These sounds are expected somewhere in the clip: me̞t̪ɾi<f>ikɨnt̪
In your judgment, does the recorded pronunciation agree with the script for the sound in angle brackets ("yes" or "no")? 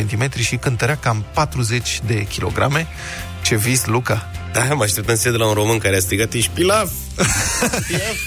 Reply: no